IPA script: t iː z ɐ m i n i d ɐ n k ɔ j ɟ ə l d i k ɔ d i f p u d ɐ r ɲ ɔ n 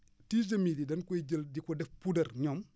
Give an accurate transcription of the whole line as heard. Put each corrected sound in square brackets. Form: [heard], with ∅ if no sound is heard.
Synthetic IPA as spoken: t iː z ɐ m i [d] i d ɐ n k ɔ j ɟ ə l d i k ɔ d [ɛ] f p u d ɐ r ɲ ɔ [m]